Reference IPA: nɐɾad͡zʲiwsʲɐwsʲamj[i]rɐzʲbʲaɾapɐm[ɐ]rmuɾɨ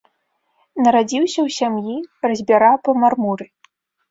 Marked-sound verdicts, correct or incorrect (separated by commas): correct, incorrect